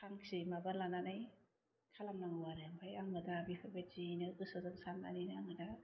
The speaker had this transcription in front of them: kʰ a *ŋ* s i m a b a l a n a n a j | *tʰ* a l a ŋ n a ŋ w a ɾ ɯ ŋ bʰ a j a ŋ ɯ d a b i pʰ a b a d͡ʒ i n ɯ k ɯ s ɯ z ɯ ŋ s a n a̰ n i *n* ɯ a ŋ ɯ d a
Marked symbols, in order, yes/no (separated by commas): yes, no, yes